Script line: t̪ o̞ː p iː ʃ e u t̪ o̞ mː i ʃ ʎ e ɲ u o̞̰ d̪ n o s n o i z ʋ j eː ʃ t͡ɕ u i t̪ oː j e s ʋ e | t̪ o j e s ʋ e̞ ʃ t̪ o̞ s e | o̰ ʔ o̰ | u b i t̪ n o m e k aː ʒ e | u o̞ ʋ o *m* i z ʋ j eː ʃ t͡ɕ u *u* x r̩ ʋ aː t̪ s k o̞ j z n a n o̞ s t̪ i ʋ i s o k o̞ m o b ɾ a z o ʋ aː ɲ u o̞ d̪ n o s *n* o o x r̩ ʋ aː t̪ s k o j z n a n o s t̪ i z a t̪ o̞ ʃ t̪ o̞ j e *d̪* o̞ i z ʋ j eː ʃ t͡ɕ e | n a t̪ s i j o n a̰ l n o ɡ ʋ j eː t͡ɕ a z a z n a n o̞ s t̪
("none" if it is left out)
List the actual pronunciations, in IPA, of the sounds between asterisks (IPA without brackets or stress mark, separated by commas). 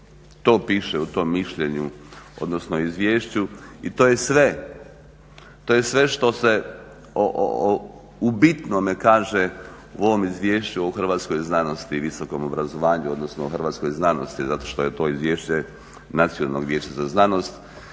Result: m, o, n, t̪